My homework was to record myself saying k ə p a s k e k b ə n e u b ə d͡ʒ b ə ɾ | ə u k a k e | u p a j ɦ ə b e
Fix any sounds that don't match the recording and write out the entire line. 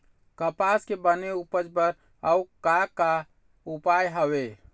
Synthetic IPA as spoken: k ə p a s k e b ə n e u p ə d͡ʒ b ə ɾ | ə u k a k a | u p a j ɦ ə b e